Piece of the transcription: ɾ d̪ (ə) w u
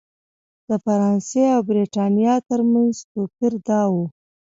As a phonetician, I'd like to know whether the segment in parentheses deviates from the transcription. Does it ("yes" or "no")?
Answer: yes